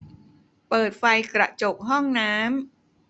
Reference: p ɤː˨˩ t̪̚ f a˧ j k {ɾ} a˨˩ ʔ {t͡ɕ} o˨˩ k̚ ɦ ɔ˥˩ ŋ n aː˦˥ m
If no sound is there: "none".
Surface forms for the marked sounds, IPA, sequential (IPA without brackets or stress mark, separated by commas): ɾ, t͡ɕ